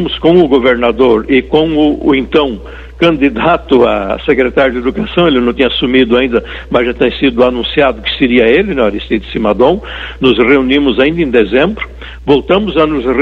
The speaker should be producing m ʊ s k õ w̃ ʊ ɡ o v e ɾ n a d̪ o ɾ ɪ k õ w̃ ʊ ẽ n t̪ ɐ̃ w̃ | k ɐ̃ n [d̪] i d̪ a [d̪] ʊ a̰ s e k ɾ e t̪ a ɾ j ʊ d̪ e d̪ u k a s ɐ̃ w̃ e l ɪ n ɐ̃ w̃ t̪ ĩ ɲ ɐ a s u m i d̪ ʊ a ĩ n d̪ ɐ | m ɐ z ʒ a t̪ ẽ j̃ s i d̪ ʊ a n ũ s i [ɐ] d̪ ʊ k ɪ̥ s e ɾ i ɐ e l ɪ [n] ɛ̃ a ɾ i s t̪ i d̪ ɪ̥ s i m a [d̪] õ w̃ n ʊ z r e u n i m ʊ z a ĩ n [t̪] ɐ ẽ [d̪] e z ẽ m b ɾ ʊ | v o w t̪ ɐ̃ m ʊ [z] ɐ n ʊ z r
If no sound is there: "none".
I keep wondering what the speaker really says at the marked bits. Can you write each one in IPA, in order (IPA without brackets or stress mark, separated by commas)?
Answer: d̪, t̪, a, n, d̪, d̪, d̪, z